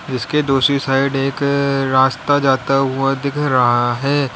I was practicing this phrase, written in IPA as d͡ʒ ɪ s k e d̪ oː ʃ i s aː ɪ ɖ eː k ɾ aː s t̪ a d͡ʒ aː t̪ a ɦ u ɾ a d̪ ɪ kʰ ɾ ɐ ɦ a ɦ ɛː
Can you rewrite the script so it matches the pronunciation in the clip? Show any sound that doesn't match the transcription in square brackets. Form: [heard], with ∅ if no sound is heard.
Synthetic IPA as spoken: d͡ʒ ɪ s k e d̪ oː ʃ i s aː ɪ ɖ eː k ɾ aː s t̪ a d͡ʒ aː t̪ a ɦ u [∅] a d̪ ɪ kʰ ɾ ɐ ɦ a ɦ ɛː